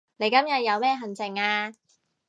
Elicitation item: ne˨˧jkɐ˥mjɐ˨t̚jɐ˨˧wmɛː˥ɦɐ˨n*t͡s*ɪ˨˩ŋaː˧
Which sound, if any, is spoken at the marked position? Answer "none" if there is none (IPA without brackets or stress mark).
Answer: t͡s